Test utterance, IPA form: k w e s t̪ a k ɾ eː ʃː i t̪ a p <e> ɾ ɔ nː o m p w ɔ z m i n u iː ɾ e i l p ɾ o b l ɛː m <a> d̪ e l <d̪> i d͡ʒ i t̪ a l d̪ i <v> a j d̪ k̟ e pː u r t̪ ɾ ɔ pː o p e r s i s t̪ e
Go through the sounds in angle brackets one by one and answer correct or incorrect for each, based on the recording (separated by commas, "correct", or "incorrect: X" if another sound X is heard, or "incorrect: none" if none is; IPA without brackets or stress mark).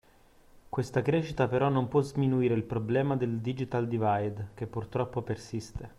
correct, correct, correct, correct